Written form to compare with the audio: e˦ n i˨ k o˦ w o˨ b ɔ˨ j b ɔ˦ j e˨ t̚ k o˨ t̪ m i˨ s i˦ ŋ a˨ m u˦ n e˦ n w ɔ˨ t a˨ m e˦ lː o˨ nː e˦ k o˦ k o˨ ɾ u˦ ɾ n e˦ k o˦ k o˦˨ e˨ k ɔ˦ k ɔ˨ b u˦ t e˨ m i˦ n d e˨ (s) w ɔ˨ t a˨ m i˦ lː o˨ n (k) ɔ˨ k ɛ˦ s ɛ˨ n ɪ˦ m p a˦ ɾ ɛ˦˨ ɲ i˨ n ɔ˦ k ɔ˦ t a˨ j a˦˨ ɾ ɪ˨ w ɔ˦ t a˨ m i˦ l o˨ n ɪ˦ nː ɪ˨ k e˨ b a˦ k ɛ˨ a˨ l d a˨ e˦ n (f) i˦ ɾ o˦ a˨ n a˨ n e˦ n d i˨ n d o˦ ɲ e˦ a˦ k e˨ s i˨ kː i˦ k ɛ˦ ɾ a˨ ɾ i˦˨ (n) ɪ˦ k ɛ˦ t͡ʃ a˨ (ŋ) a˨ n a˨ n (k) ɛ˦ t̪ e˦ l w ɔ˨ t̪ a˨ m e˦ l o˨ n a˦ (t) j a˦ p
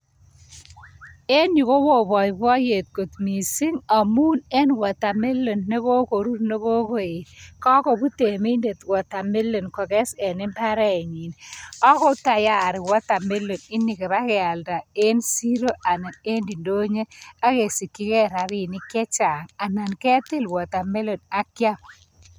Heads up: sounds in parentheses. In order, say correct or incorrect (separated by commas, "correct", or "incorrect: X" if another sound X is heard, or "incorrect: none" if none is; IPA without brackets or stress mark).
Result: incorrect: t, correct, incorrect: s, correct, correct, correct, incorrect: k